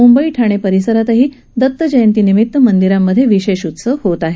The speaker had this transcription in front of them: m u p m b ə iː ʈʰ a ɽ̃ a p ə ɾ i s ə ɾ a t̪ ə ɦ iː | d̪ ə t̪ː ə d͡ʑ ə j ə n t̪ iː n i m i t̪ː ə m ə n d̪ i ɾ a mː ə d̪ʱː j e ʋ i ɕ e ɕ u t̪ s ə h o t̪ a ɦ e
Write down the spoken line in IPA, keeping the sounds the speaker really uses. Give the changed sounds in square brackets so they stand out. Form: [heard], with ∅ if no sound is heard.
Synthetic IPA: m u [∅] m b ə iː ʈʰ a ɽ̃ [e] p ə ɾ i s ə ɾ a t̪ ə ɦ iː | d̪ ə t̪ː ə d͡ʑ ə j ə n t̪ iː n i m i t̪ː ə m ə n d̪ i ɾ a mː ə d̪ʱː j e ʋ i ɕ e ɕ u t̪ s ə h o t̪ a ɦ e